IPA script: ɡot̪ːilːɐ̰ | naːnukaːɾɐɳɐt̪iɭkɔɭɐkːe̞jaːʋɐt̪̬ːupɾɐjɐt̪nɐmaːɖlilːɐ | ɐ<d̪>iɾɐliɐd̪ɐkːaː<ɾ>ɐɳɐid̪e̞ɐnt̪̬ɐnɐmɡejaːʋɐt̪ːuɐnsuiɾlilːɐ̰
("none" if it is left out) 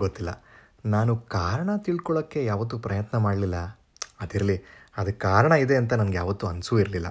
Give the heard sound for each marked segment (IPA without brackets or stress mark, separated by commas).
d̪, ɾ